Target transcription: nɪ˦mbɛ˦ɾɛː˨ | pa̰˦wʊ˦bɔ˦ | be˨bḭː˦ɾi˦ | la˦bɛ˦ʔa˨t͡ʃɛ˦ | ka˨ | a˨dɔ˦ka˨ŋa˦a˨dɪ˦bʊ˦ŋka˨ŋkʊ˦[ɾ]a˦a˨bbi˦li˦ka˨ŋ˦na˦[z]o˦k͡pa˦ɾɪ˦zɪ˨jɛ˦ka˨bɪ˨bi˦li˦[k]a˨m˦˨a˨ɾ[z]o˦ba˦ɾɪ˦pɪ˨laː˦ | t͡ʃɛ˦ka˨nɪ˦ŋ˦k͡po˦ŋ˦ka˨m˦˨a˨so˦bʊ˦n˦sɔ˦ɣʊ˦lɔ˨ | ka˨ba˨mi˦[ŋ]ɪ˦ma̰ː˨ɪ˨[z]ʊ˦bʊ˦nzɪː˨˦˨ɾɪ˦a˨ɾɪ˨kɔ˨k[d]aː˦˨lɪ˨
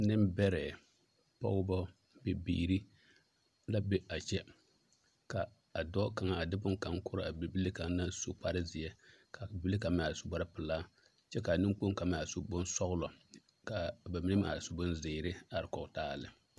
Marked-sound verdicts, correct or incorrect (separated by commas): correct, incorrect, correct, incorrect, incorrect, incorrect, incorrect